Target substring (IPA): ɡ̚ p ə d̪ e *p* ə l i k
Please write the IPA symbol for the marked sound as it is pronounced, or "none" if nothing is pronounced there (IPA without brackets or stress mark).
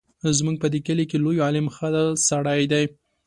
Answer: k